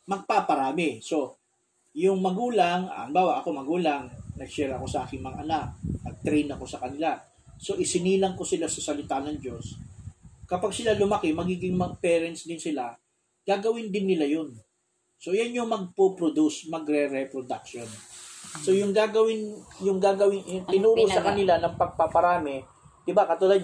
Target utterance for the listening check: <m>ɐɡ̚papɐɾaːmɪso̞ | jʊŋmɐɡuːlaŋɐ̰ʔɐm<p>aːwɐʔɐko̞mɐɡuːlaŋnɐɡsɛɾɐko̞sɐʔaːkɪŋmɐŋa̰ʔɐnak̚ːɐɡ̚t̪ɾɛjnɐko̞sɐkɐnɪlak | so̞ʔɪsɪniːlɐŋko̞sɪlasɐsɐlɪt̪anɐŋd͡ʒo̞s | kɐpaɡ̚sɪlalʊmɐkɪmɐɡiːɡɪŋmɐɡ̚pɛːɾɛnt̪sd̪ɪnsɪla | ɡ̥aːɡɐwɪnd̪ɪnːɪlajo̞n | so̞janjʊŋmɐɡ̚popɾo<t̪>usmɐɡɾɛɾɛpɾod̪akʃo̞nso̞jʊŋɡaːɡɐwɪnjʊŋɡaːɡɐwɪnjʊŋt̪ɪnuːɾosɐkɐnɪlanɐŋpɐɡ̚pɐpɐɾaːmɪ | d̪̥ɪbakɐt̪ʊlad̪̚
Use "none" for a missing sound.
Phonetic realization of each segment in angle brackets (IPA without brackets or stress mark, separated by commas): m, b, d̪